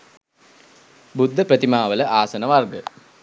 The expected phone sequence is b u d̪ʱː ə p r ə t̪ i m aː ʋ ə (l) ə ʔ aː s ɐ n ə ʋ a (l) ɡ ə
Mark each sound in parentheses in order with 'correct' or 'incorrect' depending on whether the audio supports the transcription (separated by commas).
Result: correct, incorrect